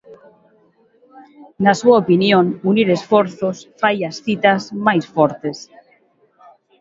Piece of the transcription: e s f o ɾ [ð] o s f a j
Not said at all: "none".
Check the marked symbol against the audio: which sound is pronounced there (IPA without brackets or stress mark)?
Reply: θ